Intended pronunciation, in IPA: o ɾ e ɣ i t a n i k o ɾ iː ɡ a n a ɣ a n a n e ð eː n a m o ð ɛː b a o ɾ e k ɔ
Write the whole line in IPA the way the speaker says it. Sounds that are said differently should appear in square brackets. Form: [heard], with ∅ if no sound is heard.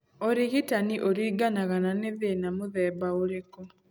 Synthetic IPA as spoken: o ɾ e ɣ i t a n i [ʔ] o ɾ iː ɡ a n a ɣ a n a n e ð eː n a m o ð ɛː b a o ɾ e k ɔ

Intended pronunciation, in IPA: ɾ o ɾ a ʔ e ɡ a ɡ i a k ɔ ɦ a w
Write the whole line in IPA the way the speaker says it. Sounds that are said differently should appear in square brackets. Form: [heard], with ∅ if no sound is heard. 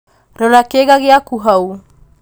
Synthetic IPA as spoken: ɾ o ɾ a [k] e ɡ a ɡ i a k [u] ɦ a w

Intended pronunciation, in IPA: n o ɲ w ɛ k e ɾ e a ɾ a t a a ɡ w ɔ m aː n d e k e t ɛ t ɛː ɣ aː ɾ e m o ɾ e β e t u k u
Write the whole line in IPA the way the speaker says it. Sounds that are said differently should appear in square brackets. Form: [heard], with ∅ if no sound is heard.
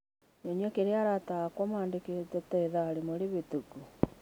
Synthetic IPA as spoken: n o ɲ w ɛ k e ɾ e a ɾ a t a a [k] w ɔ m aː n d e k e t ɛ t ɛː [ð] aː ɾ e m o ɾ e β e t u k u

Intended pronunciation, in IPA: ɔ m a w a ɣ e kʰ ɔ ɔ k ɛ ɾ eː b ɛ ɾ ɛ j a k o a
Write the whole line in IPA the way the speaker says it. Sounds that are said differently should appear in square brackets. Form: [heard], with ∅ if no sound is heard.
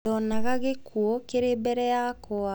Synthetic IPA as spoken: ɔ [n] a [ɣ] a ɣ e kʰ [u] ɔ k [e] ɾ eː b ɛ ɾ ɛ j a k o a

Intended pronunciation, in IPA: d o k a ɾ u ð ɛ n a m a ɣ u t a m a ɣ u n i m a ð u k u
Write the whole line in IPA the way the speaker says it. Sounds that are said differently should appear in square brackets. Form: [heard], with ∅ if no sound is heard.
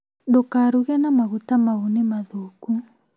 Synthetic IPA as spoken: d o k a ɾ u [ɣ] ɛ n a m a ɣ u t a m a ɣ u n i m a ð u k u

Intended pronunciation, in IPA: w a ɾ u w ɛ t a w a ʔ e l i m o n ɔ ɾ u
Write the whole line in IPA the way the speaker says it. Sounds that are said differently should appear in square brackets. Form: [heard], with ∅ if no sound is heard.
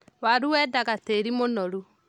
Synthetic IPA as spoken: w a ɾ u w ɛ [d] a [ɣ] a [t] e [ɾ] i m o n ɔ ɾ u

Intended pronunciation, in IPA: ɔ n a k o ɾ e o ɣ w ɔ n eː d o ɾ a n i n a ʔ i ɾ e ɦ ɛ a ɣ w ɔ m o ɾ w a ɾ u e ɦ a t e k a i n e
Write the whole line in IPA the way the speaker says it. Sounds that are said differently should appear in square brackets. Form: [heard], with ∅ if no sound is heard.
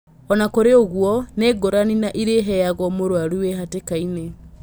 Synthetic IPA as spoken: ɔ n a k o ɾ e o ɣ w ɔ n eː [ɡ] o ɾ a n i n a ʔ i ɾ e ɦ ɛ a ɣ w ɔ m o ɾ w a ɾ u e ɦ a t e k a i n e

